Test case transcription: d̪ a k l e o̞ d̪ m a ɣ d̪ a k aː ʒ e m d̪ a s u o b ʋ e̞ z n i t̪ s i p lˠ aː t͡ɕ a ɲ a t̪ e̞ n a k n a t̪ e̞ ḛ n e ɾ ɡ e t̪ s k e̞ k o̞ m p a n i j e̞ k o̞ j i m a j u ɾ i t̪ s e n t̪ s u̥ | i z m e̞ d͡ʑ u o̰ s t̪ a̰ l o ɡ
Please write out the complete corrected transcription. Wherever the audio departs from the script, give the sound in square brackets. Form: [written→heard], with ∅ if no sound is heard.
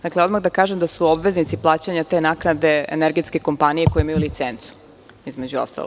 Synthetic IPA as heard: d̪ a k l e o̞ d̪ m a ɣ d̪ a k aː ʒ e m d̪ a s u o b ʋ e̞ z n i t̪ s i p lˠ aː t͡ɕ a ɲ a t̪ e̞ n a k n a [t̪→d̪] e̞ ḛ n e ɾ ɡ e t̪ s k e̞ k o̞ m p a n i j e̞ k o̞ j i m a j u [ɾ→l] i t̪ s e n t̪ s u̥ | i z m e̞ d͡ʑ u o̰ s t̪ a̰ l o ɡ